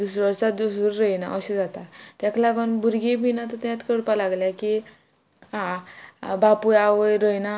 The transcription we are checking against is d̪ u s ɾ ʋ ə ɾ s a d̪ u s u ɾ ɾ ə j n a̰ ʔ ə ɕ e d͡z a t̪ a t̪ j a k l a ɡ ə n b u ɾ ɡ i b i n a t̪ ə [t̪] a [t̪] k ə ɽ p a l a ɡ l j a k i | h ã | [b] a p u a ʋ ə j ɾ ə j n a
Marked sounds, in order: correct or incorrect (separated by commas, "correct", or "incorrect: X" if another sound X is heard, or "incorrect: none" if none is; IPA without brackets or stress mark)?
correct, correct, correct